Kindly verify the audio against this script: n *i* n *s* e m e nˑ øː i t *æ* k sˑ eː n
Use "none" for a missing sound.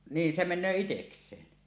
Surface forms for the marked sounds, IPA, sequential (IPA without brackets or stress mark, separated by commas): iː, s, e